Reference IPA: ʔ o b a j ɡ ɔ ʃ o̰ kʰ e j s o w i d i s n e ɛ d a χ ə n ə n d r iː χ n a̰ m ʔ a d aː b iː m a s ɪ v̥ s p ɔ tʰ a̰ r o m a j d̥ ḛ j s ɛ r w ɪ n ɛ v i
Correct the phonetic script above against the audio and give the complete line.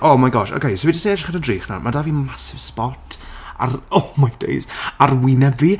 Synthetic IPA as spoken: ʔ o m a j ɡ ɔ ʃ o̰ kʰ e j s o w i d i s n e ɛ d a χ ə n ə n d r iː χ n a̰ m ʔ a d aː v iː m a s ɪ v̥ s p ɔ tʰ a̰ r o m a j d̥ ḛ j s a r w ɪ n ɛ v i